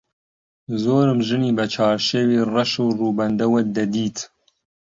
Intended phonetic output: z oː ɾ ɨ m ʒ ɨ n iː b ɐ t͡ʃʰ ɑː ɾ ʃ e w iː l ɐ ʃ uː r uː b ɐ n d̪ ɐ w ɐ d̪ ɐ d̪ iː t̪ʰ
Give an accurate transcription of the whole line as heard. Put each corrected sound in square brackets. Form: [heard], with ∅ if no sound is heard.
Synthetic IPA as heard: z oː ɾ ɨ m ʒ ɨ n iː b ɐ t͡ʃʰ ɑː ɾ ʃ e w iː [r] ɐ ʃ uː r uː b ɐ n d̪ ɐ w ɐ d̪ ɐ d̪ iː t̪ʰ